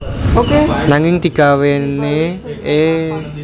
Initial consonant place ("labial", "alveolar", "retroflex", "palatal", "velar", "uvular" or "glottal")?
velar